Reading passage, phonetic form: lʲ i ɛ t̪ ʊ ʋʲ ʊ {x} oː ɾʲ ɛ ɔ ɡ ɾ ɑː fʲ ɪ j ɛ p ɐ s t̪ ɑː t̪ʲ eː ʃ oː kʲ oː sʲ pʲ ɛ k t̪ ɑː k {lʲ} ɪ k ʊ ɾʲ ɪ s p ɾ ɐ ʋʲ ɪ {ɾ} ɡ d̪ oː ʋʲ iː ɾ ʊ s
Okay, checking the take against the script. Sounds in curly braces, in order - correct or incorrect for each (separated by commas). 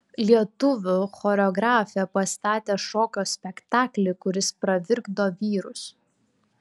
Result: correct, correct, correct